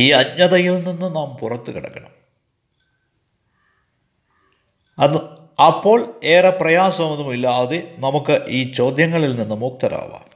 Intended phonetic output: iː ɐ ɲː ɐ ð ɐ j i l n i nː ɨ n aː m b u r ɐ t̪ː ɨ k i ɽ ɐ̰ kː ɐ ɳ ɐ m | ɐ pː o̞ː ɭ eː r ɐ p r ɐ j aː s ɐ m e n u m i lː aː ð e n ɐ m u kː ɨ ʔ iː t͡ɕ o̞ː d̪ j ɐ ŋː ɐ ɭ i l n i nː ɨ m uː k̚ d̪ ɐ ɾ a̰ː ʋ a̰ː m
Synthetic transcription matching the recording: iː ɐ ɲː ɐ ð ɐ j i l n i nː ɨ n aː m p u r ɐ t̪ː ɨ k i ɽ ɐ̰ kː ɐ ɳ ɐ m | ɐ pː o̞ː ɭ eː r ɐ p r ɐ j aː s ɐ m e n u m i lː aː ð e n ɐ m u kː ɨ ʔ iː t͡ɕ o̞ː d̪ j ɐ ŋː ɐ ɭ i l n i nː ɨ m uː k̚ t̪ ɐ ɾ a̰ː ʋ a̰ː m